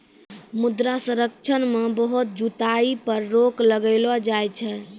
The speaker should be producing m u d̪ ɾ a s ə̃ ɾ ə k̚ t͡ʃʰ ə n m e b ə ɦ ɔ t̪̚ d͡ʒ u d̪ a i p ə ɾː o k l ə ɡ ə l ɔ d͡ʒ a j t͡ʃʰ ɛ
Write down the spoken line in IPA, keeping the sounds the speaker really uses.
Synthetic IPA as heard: m u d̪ ɾ a s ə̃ ɾ ə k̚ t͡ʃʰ ə n m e b ə ɦ u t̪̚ d͡ʒ u t̪ a i p ə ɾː o k l ə ɡ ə l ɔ d͡ʒ a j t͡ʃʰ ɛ